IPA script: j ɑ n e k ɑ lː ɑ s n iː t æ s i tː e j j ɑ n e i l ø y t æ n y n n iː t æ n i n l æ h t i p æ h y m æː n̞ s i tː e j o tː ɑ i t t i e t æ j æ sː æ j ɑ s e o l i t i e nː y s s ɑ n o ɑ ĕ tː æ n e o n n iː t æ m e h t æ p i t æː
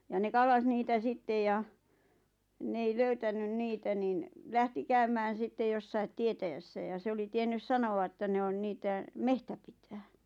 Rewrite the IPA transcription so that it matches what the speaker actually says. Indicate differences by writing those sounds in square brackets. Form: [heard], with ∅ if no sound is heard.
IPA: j ɑ n e k ɑ lː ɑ s n iː t æ s i tː e j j ɑ n e i l ø y t æ n y n n iː t æ n i n l æ h t i [k] æ [∅] y m æː n̞ s i tː e j o [sː] ɑ i t t i e t æ j æ sː æ j ɑ s e o l i t i e nː y s s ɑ n o ɑ ĕ tː æ n e o n n iː t æ m e h t æ p i t æː